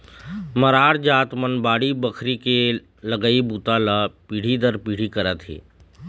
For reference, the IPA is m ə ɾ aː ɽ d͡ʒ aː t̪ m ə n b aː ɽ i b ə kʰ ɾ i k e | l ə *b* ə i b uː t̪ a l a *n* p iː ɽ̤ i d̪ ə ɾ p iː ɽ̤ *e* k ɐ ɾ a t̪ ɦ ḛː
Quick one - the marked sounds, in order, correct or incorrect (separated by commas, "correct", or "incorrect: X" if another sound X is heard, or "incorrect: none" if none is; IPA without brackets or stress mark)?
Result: incorrect: ɡ, incorrect: none, incorrect: i